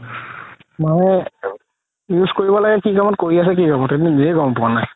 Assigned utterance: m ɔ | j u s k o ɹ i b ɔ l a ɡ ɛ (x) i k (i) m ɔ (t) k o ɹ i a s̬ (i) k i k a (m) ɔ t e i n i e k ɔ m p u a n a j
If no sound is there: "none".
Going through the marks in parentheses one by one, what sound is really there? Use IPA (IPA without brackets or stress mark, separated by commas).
k, a, t, ɛ, m